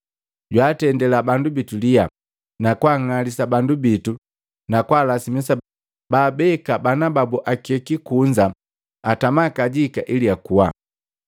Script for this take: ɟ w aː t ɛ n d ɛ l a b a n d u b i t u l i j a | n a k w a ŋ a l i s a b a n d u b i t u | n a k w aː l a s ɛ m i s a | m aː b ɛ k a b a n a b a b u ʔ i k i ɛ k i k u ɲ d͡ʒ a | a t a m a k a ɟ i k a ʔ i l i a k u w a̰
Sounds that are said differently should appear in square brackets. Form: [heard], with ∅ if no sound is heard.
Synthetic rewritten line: ɟ w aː t ɛ n d ɛ l a b a n d u b i t u l i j a | n a k w a ŋ a l i s a b a n d u b i t u | n a k w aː l a s [i] m i s a | [b] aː b ɛ k a b a n a b a b u ʔ [a] k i ɛ k i k u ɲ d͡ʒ a | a t a m a k a ɟ i k a ʔ i l i a k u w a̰